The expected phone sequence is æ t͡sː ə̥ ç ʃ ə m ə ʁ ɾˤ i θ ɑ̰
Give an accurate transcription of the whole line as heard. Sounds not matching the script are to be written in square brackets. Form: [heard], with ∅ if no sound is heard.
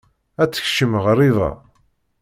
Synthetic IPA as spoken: æ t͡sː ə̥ ç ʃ ə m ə ʁ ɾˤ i [ð] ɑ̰